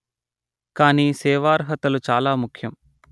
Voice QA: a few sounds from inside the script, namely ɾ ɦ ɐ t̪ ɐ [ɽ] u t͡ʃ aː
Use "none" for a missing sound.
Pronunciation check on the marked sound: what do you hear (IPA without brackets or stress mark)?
l